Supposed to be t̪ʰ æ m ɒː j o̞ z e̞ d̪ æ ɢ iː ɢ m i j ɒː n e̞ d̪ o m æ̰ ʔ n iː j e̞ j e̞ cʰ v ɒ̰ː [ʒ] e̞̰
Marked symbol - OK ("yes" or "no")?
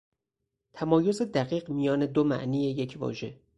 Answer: yes